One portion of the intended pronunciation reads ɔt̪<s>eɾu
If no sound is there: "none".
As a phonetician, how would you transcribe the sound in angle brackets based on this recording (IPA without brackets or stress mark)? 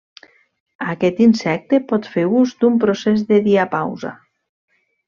f